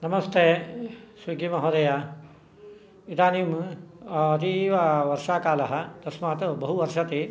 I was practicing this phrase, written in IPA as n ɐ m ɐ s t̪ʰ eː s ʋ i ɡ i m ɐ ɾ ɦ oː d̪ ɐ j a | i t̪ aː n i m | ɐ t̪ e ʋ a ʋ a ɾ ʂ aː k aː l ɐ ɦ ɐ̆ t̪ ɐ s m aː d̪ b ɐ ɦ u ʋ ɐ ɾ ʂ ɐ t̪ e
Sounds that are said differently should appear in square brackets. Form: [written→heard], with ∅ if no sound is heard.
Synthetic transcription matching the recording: n ɐ m ɐ s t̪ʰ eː s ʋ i ɡ i m ɐ [ɾ→∅] ɦ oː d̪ ɐ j a | i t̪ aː n i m | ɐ t̪ [e→i] ʋ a ʋ [a→ɐ] ɾ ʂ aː k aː l ɐ ɦ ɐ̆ t̪ ɐ s m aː [d̪→t̪] b ɐ ɦ u ʋ ɐ ɾ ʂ ɐ t̪ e